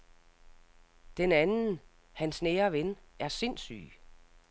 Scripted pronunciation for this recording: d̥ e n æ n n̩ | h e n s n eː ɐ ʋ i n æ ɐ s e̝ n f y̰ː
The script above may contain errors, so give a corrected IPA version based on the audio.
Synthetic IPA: d̥ e n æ n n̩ | h æ n s n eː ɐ ʋ e n æ ɐ s e̝ n s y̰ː